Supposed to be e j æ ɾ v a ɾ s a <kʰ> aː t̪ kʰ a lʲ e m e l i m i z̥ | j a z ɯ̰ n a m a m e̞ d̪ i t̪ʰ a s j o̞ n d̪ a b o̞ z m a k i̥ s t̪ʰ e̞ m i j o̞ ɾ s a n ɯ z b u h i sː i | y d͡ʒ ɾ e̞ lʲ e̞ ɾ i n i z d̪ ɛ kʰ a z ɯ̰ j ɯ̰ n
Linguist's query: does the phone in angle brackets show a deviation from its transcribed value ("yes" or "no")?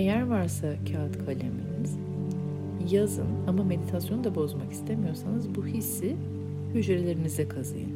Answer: yes